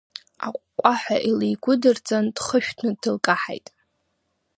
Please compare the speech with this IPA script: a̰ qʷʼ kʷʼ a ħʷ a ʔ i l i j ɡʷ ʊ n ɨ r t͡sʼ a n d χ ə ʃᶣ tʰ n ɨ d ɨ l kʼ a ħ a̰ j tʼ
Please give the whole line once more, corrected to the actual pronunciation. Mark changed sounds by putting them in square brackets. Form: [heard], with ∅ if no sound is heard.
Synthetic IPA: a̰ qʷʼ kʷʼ a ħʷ a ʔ i l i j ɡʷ ʊ [d] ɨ r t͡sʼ a n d χ ə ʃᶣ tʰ n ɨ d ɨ l kʼ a ħ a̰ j tʼ